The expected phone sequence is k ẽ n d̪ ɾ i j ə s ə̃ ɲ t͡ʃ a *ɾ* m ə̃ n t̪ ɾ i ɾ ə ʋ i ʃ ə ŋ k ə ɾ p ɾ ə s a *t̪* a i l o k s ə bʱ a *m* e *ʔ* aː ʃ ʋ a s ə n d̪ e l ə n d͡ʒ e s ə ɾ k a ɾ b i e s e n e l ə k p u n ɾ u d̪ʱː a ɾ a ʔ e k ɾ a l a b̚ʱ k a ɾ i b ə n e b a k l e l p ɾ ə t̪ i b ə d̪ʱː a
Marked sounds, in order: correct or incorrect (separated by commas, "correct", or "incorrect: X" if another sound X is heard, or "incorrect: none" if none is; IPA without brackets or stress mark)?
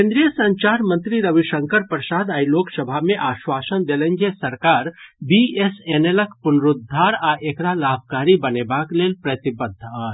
correct, incorrect: d̪, correct, correct